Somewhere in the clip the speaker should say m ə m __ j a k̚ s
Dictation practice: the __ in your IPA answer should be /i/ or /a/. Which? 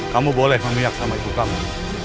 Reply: i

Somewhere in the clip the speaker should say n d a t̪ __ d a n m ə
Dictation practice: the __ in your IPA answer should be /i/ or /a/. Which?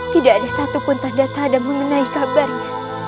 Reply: a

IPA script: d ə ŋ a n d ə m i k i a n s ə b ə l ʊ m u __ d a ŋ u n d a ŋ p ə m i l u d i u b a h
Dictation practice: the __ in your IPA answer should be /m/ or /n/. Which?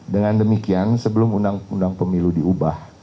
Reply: n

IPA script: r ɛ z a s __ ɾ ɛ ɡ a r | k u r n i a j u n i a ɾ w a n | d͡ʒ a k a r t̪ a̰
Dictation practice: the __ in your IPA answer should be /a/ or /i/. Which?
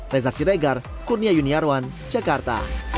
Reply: i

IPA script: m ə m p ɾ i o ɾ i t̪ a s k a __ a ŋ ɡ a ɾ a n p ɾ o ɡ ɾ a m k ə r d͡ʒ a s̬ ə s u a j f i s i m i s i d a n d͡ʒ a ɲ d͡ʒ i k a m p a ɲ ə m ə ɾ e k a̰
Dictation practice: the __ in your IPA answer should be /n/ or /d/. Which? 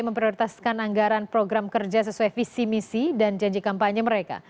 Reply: n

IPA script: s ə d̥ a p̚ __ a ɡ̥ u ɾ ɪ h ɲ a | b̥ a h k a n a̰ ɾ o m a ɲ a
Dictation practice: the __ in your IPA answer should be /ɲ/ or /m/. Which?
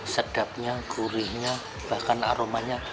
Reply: ɲ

